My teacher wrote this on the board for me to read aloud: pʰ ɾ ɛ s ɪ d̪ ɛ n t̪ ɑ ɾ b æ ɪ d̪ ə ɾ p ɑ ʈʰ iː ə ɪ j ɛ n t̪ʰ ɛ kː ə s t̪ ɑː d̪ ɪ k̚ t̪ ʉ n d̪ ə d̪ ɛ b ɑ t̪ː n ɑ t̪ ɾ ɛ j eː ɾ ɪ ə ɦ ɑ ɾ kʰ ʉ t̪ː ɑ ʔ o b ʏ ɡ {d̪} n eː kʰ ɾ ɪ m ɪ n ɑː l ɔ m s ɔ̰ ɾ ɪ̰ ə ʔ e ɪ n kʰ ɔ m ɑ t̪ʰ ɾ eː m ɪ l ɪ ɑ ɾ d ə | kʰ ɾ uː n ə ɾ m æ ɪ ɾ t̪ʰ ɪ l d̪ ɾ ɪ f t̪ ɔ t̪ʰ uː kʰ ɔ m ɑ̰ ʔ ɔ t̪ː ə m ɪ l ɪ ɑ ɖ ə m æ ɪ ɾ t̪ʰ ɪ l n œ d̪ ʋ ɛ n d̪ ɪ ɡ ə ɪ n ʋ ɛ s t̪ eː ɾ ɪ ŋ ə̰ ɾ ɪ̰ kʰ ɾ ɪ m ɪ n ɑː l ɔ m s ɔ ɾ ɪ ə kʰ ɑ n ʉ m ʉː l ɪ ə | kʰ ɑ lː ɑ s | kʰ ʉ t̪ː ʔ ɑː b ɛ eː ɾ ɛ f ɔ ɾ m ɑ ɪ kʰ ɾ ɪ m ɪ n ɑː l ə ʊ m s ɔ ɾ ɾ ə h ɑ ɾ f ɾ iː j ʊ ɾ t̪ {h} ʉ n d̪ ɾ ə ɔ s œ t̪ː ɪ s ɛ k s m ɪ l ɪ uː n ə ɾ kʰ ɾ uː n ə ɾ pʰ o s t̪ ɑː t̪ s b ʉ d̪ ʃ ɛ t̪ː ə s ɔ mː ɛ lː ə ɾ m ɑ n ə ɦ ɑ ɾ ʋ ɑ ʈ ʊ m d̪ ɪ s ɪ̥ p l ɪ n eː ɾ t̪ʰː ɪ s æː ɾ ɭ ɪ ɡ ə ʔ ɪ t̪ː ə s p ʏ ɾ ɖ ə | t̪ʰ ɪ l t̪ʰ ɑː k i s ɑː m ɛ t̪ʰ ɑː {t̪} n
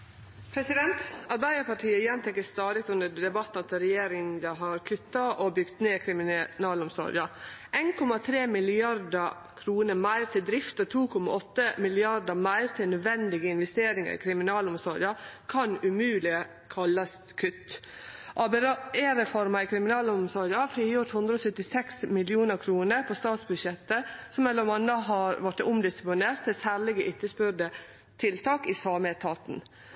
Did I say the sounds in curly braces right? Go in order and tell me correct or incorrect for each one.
incorrect: t̪, correct, correct

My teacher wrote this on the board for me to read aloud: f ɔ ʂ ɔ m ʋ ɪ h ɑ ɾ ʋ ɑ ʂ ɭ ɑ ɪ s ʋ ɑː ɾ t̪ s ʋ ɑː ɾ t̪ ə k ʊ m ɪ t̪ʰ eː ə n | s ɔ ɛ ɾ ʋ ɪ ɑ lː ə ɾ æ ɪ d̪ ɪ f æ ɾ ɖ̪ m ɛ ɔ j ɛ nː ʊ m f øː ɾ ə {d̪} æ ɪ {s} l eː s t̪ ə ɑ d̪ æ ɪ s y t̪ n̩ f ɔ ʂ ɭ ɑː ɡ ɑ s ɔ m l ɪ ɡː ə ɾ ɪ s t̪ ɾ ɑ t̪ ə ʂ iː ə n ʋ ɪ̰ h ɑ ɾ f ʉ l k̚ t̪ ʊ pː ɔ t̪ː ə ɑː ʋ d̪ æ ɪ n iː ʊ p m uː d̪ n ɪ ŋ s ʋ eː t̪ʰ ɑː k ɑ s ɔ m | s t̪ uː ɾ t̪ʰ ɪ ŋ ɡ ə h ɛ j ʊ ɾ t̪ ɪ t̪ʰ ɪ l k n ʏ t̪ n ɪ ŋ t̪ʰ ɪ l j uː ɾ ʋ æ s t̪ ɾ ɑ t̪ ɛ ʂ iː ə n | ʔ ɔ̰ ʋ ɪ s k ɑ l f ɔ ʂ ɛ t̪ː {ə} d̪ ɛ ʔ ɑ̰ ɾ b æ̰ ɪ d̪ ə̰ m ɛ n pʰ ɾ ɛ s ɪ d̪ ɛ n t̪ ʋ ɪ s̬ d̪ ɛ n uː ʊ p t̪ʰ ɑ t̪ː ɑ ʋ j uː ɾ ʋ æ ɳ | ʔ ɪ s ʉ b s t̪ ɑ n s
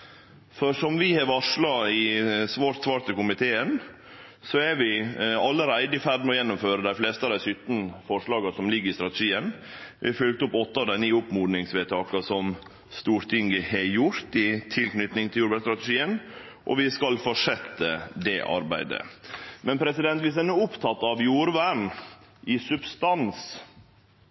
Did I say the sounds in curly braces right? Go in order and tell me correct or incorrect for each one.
correct, incorrect: f, correct

